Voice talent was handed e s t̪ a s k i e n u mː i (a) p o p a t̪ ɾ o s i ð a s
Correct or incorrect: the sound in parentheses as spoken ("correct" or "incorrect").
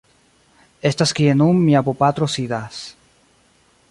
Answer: correct